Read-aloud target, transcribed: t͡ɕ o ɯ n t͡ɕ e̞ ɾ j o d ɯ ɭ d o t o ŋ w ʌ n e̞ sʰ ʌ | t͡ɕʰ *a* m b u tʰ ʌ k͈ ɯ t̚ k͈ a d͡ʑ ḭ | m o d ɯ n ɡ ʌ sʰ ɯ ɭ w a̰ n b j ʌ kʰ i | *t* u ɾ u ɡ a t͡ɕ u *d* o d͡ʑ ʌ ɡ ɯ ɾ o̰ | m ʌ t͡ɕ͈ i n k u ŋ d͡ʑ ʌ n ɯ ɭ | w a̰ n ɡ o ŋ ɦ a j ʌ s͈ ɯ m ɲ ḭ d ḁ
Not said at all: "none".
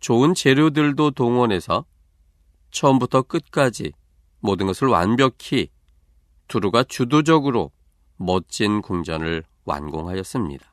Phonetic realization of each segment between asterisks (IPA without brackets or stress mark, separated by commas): ʌ, t, d